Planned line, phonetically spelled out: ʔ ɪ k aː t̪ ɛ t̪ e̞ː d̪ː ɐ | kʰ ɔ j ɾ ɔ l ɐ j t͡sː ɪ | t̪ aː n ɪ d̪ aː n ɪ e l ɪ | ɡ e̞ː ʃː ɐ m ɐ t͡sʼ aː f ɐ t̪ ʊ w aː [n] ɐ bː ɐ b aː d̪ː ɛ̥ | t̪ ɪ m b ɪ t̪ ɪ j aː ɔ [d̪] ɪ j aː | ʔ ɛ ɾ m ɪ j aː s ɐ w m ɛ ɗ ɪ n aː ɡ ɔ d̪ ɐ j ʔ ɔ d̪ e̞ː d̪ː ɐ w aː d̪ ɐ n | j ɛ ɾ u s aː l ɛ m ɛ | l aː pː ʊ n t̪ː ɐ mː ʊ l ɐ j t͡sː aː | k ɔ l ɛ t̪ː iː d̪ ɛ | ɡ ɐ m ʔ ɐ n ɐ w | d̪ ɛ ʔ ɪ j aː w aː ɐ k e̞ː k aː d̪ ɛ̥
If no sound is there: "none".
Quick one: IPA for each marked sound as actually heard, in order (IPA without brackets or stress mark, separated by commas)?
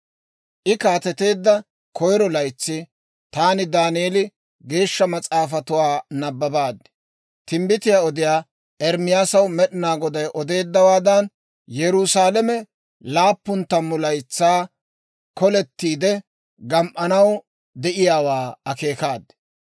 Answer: n, d̪